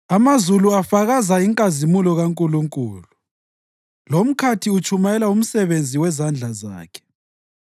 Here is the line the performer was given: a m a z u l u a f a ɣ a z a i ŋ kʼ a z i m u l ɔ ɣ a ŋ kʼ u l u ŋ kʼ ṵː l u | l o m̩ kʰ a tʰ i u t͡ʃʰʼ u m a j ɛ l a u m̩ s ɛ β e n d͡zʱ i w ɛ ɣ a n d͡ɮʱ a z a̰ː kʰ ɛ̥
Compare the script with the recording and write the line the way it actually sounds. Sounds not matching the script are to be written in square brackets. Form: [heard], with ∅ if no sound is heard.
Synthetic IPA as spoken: a m a z u l u a f a ɣ a z a i ŋ kʼ a z i m u l ɔ ɣ a ŋ kʼ u l u ŋ kʼ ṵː l u | l o m̩ kʰ a tʰ i u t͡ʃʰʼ u m a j ɛ l a u m̩ s ɛ β e n d͡zʱ i w ɛ [z] a n d͡ɮʱ a z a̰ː kʰ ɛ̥

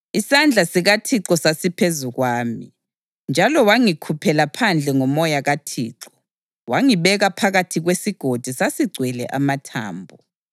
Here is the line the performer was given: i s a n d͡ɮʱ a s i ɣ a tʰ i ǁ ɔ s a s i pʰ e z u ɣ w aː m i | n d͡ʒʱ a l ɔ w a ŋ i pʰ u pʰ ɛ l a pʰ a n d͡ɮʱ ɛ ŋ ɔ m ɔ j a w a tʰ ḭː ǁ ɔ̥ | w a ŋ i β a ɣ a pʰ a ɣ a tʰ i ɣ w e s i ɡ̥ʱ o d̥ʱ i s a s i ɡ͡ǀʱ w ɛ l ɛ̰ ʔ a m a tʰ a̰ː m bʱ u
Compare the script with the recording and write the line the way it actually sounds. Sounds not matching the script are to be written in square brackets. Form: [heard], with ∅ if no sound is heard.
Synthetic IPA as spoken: i s a n d͡ɮʱ a s i ɣ a tʰ i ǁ ɔ s a s i pʰ e z u ɣ w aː m i | n d͡ʒʱ a l ɔ w a ŋ i [kʰ] u pʰ ɛ l a pʰ a n d͡ɮʱ ɛ ŋ ɔ m ɔ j a [ɣ] a tʰ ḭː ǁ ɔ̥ | w a ŋ i β [ɛ] ɣ a pʰ a ɣ a tʰ i ɣ w e s i ɡ̥ʱ o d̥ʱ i s a s i ɡ͡ǀʱ w ɛ l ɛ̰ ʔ a m a tʰ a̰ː m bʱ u

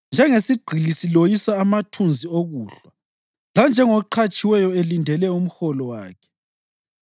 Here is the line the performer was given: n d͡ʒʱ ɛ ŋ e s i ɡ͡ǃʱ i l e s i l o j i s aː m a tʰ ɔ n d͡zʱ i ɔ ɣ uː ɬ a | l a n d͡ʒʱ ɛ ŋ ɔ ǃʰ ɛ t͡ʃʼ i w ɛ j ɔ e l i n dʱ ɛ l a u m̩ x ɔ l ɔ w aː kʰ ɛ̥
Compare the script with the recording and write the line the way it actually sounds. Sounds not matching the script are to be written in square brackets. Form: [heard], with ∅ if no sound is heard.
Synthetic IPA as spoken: n d͡ʒʱ ɛ ŋ e s i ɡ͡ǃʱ i l [i] s i l o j i s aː m a tʰ [u] n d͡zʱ i [o] ɣ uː ɬ a | l a n d͡ʒʱ ɛ ŋ ɔ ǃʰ [a] t͡ʃʼ i w ɛ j ɔ e l i n dʱ ɛ l [ɛ] u m̩ x ɔ l ɔ w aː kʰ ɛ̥

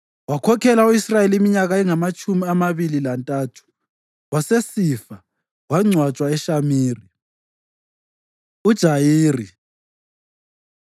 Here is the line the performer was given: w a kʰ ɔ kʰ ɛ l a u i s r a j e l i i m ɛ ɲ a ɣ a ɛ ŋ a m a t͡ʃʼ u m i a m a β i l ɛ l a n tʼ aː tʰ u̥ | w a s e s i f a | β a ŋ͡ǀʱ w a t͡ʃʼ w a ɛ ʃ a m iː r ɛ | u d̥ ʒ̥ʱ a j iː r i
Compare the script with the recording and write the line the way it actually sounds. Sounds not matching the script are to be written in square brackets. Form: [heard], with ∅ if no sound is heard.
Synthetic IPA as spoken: w a kʰ ɔ kʰ ɛ l a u i s r a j e l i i m [i] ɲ a ɣ a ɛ ŋ a m a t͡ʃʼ u m i a m a β i l [i] l a n tʼ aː tʰ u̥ | w a s e s i f a | [w] a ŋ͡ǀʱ w a t͡ʃʼ w a ɛ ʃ a m iː r [i] | u d̥ ʒ̥ʱ a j iː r i

